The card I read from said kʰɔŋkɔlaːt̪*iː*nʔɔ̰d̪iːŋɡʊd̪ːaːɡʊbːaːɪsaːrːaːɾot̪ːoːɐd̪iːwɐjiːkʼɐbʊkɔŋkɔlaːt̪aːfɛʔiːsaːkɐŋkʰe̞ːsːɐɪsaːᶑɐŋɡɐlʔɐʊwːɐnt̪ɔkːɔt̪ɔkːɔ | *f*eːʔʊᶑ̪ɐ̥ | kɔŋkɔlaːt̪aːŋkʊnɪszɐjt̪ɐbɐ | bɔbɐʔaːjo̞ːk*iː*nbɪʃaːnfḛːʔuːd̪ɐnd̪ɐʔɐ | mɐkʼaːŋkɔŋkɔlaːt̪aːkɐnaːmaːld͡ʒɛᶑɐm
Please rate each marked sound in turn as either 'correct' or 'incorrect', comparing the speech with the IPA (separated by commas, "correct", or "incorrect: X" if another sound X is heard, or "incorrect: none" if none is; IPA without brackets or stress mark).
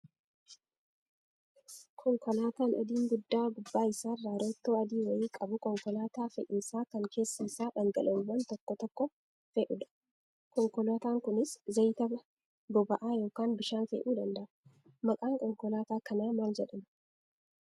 incorrect: aː, correct, incorrect: aː